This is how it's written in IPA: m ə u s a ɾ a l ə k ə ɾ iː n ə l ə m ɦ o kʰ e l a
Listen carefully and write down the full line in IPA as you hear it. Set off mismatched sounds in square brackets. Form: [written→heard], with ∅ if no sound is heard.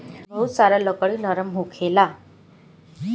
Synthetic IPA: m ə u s a ɾ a l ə k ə [ɾ→ɭ] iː n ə [l→ɾ] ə m ɦ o kʰ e l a